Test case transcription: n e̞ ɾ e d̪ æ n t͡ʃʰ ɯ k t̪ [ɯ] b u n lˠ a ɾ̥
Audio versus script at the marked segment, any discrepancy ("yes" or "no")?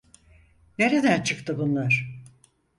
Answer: no